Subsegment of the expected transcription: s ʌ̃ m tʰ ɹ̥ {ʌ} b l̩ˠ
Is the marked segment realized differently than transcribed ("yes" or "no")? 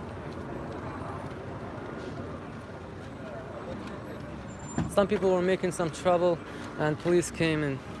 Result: no